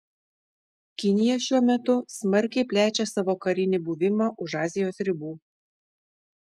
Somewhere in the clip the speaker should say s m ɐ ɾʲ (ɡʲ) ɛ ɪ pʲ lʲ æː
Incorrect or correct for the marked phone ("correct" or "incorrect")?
incorrect